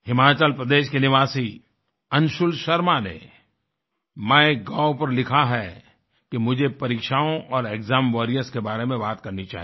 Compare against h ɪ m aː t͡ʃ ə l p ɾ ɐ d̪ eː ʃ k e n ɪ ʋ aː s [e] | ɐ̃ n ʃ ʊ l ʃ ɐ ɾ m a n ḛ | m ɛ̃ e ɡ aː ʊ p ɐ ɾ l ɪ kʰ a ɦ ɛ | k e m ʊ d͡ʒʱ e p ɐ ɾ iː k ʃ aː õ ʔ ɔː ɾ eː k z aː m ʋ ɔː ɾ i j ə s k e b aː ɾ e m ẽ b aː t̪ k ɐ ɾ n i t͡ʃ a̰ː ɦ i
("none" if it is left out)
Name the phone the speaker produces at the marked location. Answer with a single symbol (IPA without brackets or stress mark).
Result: i